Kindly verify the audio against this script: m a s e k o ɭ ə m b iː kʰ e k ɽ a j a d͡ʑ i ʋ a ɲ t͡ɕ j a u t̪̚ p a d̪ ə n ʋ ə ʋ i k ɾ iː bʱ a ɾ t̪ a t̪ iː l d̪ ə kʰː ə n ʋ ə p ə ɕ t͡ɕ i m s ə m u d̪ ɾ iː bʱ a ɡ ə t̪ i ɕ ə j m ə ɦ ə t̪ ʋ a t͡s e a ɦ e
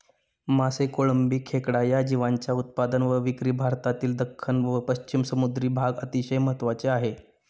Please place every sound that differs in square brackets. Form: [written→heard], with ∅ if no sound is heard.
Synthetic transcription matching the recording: m a s e k o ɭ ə m b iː kʰ e k ɽ a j a d͡ʑ i ʋ a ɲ t͡ɕ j a u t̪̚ p a d̪ ə n ʋ ə ʋ i k ɾ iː bʱ a ɾ t̪ a t̪ iː l d̪ ə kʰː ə n ʋ ə p ə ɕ t͡ɕ i m s ə m u d̪ ɾ iː bʱ a ɡ ə t̪ i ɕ ə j m ə ɦ ə t̪ ʋ a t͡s e a ɦ e